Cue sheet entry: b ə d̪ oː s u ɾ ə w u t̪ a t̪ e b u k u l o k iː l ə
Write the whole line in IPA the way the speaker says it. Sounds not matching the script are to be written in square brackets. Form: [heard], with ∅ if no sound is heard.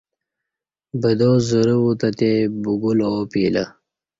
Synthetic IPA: b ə d̪ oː [z] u ɾ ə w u t̪ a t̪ e b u [ɡ] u l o [p] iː l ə